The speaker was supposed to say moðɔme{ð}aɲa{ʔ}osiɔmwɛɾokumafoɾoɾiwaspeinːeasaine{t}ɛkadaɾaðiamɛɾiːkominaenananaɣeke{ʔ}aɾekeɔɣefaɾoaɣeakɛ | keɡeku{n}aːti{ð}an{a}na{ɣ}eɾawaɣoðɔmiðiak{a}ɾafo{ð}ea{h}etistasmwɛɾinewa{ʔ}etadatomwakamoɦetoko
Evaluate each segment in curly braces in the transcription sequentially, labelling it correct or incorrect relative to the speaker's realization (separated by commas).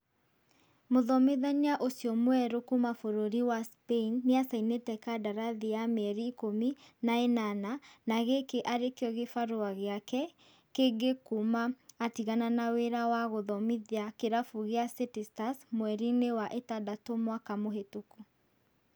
correct, correct, correct, correct, incorrect, incorrect, correct, incorrect, incorrect, incorrect, incorrect, correct